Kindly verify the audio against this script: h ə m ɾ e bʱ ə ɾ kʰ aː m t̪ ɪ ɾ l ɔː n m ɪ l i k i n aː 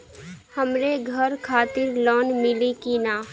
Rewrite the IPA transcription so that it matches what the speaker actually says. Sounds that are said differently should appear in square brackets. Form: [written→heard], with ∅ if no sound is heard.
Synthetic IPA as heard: h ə m ɾ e [bʱ→ɡʱ] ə ɾ kʰ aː [m→∅] t̪ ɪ ɾ l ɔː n m ɪ l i k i n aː